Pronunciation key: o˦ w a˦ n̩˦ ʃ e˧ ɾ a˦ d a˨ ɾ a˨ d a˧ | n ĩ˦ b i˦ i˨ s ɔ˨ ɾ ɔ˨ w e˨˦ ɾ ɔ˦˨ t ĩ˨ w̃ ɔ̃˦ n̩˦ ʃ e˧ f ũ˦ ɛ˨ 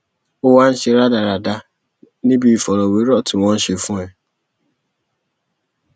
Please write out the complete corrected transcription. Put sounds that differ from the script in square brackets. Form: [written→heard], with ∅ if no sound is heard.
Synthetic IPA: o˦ w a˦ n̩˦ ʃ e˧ ɾ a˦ d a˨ ɾ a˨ d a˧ | n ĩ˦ b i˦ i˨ [s→f] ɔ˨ ɾ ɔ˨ w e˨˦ ɾ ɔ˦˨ t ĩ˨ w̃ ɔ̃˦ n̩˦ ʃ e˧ f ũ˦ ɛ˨